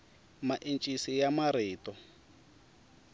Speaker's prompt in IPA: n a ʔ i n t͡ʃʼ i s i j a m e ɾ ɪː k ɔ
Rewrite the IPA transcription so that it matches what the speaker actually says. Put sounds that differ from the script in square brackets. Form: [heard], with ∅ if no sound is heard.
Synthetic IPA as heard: [m] a ʔ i n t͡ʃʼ i s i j a m [a] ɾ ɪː [t] ɔ